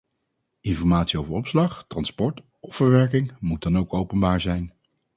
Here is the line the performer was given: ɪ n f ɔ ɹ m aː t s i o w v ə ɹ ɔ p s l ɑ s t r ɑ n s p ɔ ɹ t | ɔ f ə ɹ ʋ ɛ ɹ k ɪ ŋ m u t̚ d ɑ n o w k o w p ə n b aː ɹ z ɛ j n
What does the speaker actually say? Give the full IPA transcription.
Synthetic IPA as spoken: ɪ n f ɔ ɹ m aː t s i o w v ə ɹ ɔ p s l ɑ χ t r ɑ n s p ɔ ɹ t | ɔ f ə ɹ ʋ ɛ ɹ k ɪ ŋ m u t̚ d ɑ n o w k o w p ə n b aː ɹ z ɛ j n